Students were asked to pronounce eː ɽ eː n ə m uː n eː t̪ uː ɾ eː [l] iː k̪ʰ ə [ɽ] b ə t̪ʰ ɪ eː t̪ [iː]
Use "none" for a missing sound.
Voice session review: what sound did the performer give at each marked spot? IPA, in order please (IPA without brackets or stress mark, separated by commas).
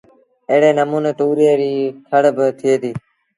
ɾ, ɽ, iː